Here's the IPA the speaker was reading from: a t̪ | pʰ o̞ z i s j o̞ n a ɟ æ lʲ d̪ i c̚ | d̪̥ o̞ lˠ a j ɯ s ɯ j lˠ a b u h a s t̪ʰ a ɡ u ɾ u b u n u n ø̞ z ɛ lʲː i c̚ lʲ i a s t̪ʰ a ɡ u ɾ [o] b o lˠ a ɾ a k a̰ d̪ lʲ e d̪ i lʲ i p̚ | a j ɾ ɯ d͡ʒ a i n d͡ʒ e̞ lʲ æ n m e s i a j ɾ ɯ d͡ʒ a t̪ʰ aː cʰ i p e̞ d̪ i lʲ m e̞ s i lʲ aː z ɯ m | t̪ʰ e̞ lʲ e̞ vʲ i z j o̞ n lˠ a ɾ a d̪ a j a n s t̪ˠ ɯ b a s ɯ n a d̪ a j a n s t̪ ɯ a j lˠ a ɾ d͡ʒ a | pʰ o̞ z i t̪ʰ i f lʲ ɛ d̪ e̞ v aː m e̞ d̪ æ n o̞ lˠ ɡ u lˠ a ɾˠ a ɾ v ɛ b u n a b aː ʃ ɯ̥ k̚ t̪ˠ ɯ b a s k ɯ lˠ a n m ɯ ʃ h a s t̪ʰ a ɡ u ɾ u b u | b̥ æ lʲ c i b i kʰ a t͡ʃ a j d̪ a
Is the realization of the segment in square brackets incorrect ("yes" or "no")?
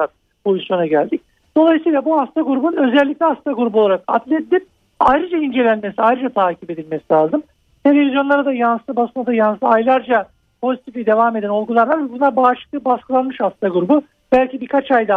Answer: yes